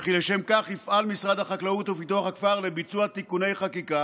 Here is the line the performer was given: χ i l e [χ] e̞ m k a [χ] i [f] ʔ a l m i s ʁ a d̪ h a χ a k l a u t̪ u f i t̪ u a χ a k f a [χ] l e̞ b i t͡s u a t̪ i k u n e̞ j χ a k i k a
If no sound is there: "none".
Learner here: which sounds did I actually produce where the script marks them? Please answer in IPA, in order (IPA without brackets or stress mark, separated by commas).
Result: ʃ, χ, f, ʁ